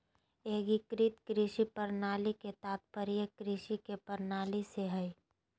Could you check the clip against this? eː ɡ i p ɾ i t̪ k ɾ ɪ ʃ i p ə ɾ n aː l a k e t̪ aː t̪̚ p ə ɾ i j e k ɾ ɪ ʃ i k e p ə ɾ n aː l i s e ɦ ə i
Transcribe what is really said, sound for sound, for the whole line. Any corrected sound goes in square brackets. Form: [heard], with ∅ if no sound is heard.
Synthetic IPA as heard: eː ɡ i [k] ɾ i t̪ k ɾ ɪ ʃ i p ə ɾ n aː l [i] k e t̪ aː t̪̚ p ə ɾ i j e k ɾ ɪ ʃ i k e p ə ɾ n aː l i s e ɦ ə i